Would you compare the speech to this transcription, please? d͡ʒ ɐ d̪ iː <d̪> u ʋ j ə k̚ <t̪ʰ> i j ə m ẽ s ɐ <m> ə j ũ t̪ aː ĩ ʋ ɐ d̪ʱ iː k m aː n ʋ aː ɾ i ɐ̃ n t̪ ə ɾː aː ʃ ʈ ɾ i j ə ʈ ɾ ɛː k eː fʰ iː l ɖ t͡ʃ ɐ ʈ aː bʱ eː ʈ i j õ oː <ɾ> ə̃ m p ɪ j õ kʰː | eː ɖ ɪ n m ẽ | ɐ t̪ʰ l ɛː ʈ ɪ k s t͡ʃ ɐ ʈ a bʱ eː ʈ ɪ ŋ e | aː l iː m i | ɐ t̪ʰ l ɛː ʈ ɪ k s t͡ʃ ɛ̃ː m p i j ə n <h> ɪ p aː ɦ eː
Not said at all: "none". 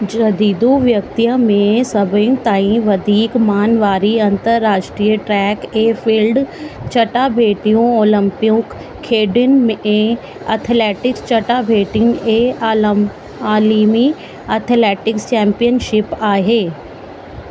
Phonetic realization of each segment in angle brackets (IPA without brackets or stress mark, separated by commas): d̪, t̪, b, l, ʃ